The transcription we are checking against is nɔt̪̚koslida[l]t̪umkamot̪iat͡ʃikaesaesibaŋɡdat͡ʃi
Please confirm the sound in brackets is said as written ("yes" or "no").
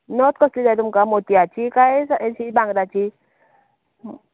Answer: no